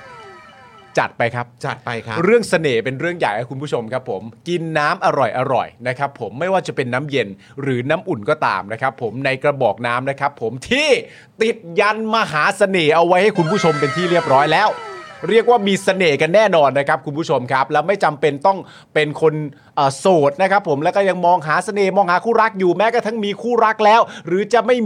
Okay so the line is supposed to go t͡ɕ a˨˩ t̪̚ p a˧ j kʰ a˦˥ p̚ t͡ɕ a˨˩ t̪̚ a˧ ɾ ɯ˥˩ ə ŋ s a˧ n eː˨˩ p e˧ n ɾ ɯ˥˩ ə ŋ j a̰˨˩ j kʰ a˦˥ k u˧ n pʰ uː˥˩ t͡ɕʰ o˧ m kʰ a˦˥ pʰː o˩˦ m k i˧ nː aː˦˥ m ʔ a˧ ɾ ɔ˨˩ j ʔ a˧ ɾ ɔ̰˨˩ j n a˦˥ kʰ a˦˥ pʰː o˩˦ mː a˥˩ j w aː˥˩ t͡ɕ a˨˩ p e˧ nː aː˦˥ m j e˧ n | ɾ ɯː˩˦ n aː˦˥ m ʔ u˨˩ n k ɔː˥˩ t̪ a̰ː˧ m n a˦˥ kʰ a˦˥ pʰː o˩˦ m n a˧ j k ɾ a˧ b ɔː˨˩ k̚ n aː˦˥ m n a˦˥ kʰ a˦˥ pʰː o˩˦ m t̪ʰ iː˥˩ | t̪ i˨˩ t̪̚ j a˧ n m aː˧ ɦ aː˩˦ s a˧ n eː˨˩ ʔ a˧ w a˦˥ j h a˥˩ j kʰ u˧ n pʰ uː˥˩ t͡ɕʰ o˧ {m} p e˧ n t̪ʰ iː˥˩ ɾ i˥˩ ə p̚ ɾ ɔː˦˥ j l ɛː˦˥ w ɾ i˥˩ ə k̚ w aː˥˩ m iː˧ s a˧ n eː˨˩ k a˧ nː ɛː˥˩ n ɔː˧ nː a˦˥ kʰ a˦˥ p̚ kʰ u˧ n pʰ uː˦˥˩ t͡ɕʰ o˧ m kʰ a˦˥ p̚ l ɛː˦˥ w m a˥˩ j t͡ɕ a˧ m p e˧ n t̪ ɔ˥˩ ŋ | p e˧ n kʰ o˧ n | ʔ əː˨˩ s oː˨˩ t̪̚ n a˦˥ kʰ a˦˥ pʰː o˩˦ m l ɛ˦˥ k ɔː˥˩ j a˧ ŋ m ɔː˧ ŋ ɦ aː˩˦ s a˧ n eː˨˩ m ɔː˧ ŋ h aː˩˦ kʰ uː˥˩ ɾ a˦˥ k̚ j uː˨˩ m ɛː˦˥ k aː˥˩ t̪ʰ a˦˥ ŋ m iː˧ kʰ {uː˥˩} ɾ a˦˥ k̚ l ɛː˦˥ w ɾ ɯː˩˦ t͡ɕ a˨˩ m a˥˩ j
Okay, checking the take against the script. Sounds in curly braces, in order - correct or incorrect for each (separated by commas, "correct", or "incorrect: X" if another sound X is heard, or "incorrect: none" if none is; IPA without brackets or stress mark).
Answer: correct, correct